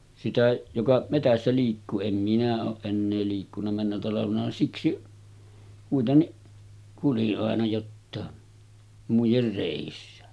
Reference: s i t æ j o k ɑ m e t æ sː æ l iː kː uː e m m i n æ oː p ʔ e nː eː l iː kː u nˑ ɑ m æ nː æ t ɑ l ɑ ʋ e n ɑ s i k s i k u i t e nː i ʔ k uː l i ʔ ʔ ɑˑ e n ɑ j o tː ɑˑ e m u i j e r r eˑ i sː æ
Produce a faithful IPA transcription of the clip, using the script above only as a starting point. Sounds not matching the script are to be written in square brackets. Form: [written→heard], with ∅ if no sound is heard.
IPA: s i t æ j o k ɑ m e t æ sː æ l iː kː uː e m m i n æ oː [p→ʔ] ʔ e nː eː l iː kː u nˑ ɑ m æ nː æ t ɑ l ɑ ʋ e n ɑ s i k s i k u i t e nː i ʔ k [uː→u] l i ʔ ʔ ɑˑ e n ɑ j o tː ɑˑ e m u i j e r r eˑ i sː æ